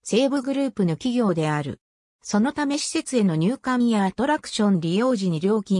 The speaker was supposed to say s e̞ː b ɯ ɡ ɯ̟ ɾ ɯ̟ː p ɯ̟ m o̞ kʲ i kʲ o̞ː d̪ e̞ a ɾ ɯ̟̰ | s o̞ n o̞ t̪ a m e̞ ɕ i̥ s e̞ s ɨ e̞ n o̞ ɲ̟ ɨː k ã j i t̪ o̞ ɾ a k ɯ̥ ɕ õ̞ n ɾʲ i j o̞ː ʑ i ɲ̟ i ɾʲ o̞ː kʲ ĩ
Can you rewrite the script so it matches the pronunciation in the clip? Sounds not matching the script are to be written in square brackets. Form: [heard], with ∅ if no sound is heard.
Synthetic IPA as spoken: s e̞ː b ɯ ɡ ɯ̟ ɾ ɯ̟ː p ɯ̟ [n] o̞ kʲ i [ɡʲ] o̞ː d̪ e̞ a ɾ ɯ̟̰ | s o̞ n o̞ t̪ a m e̞ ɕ i̥ s e̞ [t͡s] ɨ e̞ n o̞ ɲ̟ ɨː k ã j [a] t̪ o̞ ɾ a k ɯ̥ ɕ õ̞ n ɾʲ i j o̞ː ʑ i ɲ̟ i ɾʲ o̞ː kʲ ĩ